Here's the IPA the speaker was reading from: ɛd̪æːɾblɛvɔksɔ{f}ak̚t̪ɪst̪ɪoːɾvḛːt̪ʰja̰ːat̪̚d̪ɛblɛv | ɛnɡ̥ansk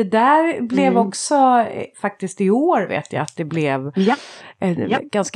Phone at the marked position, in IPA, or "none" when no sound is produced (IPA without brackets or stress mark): f